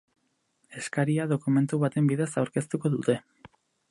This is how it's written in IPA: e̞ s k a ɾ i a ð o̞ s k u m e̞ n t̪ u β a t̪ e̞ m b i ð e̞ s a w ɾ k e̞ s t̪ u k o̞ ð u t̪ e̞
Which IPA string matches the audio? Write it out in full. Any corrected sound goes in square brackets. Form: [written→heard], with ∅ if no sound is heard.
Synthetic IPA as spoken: e̞ s k a ɾ i a ð o̞ [s→∅] k u m e̞ n t̪ u β a t̪ e̞ m b i ð e̞ s a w ɾ k e̞ s t̪ u k o̞ ð u t̪ e̞